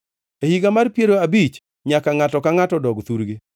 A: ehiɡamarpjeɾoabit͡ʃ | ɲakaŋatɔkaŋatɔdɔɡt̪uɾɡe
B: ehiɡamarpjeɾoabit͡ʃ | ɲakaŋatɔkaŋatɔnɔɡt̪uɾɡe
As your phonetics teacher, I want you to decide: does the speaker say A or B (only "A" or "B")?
A